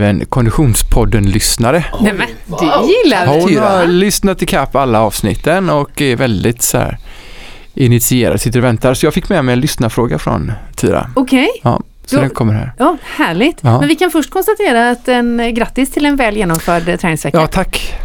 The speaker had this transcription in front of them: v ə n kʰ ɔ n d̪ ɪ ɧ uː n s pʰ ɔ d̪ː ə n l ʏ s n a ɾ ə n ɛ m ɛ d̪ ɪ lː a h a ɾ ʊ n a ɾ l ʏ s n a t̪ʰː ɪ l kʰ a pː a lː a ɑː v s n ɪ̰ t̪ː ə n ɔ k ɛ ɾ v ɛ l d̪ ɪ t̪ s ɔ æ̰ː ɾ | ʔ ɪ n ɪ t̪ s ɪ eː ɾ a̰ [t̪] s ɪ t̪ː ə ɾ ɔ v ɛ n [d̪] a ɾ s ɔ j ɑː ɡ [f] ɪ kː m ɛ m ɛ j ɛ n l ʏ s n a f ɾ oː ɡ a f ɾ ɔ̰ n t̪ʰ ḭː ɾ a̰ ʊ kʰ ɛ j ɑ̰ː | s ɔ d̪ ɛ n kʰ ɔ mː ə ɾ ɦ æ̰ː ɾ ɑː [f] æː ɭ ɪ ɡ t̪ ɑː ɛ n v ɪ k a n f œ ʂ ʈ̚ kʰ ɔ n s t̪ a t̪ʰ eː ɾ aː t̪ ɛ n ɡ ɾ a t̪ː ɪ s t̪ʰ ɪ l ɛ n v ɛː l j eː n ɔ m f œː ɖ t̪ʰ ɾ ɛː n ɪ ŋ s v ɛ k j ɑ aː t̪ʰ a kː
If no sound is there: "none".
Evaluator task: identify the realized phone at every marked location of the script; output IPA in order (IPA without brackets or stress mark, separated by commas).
d̪, t̪, f, h